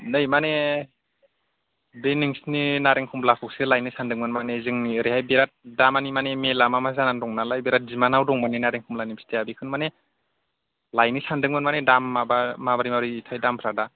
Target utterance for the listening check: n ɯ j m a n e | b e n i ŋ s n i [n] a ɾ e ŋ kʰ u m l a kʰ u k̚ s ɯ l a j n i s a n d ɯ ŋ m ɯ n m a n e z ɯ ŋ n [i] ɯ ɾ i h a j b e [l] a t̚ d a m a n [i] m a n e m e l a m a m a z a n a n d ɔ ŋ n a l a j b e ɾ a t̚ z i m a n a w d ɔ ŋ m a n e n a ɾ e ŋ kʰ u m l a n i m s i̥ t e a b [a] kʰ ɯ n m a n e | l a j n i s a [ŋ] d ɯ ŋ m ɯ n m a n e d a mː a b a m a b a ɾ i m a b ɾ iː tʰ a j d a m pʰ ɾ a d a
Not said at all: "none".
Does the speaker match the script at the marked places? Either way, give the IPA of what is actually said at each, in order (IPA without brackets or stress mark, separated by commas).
n, i, ɾ, i, i, n